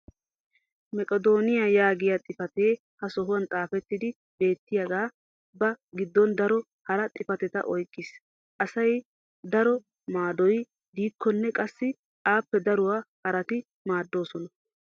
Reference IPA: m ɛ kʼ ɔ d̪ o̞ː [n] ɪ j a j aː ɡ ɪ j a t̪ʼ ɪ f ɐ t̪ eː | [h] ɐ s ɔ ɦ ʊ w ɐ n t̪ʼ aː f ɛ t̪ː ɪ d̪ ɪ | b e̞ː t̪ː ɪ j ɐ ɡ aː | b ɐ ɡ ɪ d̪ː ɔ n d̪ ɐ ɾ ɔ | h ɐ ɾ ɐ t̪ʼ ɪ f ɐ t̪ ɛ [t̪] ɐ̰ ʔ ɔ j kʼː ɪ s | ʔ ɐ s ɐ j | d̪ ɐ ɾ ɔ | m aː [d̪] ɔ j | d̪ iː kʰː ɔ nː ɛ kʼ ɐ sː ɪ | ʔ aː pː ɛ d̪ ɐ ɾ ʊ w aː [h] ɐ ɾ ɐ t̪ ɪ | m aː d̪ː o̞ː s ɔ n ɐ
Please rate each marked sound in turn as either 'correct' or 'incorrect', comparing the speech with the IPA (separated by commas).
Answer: correct, correct, correct, correct, correct